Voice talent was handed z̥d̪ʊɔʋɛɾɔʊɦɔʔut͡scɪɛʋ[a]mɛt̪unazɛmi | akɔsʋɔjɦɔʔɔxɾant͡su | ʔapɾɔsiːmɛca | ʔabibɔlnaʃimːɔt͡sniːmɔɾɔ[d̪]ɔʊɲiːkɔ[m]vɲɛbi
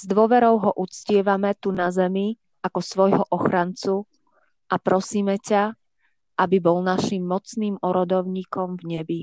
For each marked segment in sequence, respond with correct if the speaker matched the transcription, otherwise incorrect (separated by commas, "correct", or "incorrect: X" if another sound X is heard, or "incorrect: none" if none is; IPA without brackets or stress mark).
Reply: correct, correct, correct